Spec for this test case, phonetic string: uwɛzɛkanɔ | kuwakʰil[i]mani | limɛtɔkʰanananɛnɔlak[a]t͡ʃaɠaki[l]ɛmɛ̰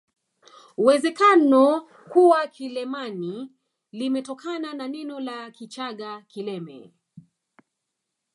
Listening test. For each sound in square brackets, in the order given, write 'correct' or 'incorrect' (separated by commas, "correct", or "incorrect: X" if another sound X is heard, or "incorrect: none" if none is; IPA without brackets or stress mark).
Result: incorrect: ɛ, incorrect: i, correct